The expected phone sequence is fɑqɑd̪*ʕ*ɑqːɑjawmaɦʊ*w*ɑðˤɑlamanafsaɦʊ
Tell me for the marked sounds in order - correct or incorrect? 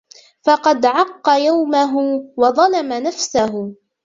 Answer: correct, correct

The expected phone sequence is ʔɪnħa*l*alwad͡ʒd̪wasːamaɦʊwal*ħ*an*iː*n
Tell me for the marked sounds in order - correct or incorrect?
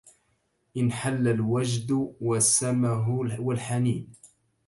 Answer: incorrect, correct, correct

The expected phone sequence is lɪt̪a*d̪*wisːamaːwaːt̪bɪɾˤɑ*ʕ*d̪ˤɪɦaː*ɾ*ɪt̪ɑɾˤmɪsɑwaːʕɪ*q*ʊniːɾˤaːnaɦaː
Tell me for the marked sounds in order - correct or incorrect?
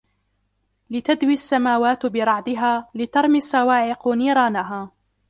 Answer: correct, correct, incorrect, correct

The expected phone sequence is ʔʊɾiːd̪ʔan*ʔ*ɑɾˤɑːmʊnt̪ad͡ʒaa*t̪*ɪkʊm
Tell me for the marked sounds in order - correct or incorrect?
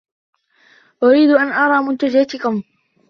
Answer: correct, correct

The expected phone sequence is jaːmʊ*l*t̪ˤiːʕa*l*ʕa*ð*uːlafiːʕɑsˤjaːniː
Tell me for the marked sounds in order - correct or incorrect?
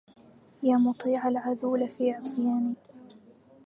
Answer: incorrect, correct, correct

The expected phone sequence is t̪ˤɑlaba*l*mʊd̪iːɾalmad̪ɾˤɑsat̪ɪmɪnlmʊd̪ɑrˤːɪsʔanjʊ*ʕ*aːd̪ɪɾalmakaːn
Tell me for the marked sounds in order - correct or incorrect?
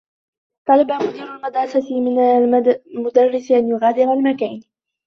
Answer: incorrect, incorrect

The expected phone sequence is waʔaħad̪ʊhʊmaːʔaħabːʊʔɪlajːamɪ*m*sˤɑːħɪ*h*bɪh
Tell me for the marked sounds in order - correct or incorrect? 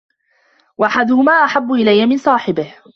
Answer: incorrect, incorrect

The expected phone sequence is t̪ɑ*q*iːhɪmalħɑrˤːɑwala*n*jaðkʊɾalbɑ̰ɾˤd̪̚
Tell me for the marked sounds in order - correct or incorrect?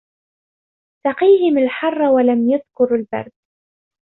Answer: correct, incorrect

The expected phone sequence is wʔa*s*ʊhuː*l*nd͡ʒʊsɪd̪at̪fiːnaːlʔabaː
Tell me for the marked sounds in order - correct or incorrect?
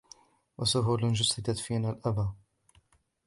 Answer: correct, correct

